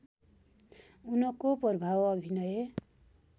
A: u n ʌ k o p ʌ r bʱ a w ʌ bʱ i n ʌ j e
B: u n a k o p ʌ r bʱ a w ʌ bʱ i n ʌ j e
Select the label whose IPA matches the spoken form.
A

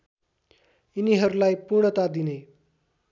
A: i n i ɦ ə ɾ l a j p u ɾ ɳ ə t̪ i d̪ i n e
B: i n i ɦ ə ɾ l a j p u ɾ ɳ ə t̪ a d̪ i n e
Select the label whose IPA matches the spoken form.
B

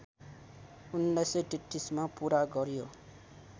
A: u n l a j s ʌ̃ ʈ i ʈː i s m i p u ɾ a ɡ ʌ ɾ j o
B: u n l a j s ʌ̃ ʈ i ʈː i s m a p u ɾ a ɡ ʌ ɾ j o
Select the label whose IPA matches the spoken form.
B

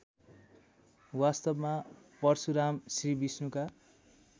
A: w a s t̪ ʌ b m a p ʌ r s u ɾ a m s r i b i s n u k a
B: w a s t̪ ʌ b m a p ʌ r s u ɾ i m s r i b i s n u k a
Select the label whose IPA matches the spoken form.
A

